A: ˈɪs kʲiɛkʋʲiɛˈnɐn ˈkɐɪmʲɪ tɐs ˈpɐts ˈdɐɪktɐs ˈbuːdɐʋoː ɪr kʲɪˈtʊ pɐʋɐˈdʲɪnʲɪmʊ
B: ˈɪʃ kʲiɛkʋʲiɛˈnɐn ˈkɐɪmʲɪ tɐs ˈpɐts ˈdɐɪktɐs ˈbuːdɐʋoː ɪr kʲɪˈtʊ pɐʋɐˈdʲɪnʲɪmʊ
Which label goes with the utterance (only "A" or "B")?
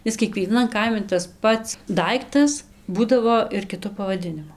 A